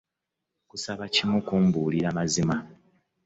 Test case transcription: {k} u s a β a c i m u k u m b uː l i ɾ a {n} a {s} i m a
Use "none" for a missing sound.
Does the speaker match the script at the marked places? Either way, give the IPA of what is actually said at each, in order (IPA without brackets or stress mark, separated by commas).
k, m, z